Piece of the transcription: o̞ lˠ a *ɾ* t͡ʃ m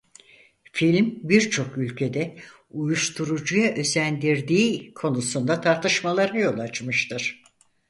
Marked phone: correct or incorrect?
incorrect